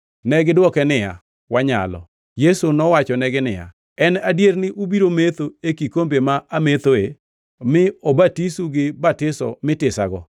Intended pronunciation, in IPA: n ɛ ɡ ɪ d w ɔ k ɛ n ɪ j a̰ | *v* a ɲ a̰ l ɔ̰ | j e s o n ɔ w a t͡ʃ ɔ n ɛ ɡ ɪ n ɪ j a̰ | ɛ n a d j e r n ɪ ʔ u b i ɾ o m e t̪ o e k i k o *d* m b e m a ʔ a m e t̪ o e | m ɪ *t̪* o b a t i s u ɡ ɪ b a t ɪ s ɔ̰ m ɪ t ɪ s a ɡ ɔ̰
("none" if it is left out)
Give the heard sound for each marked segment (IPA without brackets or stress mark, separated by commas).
w, none, none